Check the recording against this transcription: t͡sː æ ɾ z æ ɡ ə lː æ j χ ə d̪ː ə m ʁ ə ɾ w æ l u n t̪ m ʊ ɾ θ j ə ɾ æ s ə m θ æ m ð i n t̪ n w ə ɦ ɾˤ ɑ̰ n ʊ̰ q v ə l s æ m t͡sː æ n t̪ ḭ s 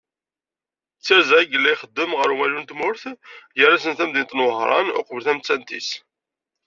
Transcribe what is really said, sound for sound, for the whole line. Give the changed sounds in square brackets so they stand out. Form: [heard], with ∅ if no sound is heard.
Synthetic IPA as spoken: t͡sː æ ɾ z æ ɡ ə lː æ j χ ə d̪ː ə m ʁ ə ɾ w æ l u n t̪ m ʊ ɾ θ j ə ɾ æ s ə [n] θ æ m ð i n t̪ n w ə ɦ ɾˤ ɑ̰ n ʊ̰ q v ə l [θ] æ m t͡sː æ n t̪ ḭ s